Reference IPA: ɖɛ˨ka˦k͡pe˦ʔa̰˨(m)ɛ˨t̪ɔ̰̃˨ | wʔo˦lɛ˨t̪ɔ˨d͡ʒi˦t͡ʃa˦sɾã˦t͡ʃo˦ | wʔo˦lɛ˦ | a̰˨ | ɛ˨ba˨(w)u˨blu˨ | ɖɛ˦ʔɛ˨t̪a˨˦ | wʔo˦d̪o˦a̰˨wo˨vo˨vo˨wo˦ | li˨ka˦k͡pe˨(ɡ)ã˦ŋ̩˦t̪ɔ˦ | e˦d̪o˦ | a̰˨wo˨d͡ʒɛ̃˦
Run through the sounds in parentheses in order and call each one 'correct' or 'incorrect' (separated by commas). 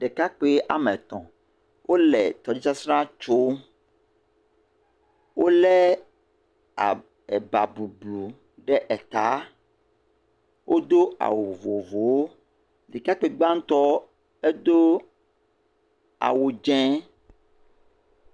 correct, incorrect, incorrect